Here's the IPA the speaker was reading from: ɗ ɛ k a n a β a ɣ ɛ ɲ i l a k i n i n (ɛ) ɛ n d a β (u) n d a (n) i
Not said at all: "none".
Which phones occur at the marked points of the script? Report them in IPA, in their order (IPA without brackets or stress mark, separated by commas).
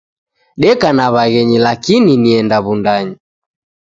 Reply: i, u, ɲ